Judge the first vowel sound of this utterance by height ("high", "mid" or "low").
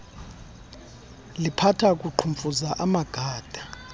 high